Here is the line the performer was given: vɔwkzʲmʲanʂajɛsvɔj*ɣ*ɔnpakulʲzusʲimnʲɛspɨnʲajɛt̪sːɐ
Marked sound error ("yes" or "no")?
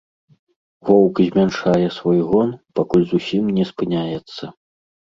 no